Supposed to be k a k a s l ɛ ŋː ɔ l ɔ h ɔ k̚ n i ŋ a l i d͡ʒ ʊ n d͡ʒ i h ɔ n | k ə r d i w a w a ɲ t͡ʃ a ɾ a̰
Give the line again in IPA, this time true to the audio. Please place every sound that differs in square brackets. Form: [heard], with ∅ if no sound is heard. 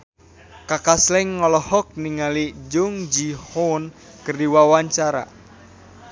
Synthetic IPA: k a k a s l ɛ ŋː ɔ l ɔ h ɔ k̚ n i ŋ a l i d͡ʒ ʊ [ŋ] d͡ʒ i h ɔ n | k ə r d i w a w a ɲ t͡ʃ a ɾ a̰